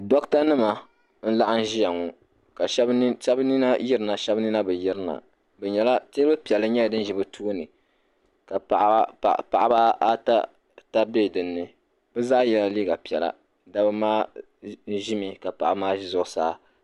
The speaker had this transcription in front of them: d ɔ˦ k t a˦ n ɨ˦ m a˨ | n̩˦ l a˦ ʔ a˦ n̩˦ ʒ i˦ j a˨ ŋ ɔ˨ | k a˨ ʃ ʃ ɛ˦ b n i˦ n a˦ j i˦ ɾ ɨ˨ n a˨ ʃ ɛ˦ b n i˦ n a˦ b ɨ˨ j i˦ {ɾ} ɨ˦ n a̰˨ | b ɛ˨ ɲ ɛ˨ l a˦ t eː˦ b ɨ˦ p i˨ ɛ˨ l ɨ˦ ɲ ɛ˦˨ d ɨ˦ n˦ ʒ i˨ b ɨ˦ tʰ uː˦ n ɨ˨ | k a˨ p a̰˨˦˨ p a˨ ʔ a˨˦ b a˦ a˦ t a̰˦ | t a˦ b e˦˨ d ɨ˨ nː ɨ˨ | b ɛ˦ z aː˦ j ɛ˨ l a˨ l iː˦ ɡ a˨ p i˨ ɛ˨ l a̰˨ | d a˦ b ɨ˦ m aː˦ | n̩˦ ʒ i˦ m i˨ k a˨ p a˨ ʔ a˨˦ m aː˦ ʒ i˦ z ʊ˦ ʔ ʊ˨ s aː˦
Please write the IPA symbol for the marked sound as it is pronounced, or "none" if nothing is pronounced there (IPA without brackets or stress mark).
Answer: ɾ